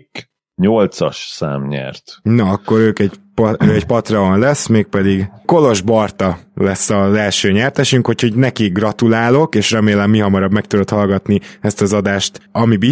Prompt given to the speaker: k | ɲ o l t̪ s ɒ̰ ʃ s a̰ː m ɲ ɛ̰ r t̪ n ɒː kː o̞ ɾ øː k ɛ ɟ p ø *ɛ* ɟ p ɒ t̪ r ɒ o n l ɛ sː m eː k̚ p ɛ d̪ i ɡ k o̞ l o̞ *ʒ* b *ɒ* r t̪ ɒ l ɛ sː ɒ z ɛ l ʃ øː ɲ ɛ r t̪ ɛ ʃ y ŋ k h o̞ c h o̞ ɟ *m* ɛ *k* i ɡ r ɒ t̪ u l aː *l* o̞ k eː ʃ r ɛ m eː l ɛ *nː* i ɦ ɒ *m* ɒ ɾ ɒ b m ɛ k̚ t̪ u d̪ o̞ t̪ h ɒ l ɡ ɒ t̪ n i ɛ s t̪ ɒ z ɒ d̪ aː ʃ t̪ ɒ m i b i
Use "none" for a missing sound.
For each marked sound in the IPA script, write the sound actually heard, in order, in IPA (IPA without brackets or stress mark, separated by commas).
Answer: ɛ, ʒ, ɒ, n, k, l, mː, m